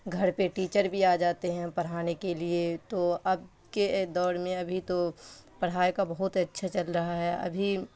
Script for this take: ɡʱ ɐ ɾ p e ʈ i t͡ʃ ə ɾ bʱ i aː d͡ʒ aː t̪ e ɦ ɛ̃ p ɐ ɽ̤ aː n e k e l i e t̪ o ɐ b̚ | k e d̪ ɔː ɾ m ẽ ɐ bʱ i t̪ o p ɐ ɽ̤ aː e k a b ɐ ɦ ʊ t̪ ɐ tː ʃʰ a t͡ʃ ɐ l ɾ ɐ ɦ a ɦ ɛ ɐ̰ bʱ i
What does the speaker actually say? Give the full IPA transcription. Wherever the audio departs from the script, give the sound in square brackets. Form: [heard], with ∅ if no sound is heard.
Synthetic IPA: ɡʱ ɐ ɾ p e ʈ [iː] t͡ʃ ə ɾ bʱ i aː d͡ʒ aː t̪ e ɦ ɛ̃ p ɐ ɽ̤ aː n e k e l i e t̪ o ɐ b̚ | k e d̪ ɔː ɾ m ẽ ɐ bʱ i t̪ o p ɐ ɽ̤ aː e k a b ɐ ɦ ʊ t̪ ɐ tː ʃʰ a t͡ʃ ɐ l ɾ ɐ ɦ a ɦ ɛ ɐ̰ bʱ i